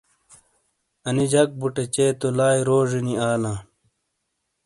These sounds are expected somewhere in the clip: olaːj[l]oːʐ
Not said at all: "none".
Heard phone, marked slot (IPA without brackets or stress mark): ɾ